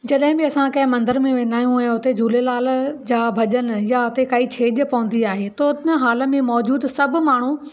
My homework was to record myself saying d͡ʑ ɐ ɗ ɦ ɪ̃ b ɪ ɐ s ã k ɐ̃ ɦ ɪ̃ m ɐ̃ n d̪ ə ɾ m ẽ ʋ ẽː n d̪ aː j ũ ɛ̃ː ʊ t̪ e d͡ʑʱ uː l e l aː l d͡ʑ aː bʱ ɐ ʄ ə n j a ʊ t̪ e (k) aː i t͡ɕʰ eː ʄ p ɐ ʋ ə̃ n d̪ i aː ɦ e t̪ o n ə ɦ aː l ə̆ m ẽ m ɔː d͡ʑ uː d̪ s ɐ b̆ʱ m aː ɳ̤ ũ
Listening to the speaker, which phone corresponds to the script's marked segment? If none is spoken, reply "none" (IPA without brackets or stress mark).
k